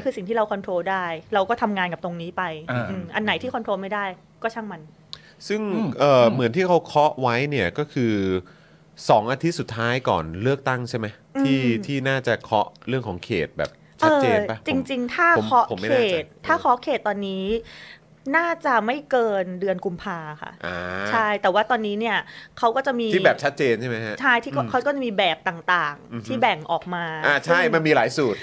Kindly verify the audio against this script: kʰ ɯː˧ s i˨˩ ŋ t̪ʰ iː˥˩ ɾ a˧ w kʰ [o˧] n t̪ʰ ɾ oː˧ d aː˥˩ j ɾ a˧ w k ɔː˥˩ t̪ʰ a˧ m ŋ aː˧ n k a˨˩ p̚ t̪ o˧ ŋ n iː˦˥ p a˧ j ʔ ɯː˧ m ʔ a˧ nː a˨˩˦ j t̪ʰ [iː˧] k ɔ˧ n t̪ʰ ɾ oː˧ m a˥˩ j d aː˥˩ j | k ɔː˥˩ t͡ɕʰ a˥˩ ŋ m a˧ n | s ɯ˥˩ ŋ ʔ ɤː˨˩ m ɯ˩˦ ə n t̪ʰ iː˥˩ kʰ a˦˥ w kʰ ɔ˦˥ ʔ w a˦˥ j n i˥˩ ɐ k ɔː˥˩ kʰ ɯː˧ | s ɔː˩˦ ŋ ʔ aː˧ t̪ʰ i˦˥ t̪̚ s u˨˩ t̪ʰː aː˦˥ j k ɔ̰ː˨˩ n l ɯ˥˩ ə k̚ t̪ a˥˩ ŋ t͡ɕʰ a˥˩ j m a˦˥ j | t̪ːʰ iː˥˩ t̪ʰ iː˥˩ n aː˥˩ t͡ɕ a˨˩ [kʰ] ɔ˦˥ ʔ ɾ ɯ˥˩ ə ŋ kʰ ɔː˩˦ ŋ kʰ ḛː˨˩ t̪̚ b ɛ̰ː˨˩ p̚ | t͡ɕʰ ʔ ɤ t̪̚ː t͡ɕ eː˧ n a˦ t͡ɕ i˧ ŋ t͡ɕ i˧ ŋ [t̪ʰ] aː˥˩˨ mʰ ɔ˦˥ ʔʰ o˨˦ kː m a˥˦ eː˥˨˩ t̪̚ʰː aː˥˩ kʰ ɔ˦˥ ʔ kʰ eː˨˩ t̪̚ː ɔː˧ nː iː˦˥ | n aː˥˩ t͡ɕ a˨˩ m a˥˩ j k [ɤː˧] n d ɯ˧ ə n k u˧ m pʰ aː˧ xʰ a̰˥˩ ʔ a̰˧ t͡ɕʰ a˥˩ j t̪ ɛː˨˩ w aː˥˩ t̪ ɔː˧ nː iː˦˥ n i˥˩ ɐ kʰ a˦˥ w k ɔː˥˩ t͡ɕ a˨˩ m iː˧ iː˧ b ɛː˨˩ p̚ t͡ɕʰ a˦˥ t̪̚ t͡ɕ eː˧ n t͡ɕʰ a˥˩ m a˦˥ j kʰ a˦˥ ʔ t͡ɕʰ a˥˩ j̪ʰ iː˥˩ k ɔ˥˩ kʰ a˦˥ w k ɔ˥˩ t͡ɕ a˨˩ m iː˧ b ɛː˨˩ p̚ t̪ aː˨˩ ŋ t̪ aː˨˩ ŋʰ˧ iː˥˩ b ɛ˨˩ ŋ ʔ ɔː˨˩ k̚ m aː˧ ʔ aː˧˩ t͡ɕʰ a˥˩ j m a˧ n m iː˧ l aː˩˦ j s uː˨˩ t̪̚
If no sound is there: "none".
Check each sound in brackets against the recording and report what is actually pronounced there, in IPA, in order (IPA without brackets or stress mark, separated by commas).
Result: ɔ˧, iː˥˩, kʰ, t̪ʰ, ɤː˧